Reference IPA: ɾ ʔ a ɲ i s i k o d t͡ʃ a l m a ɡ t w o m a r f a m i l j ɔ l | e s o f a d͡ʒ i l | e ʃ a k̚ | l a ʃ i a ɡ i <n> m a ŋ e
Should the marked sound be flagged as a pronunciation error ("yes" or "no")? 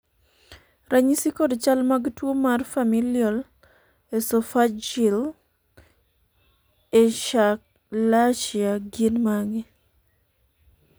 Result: no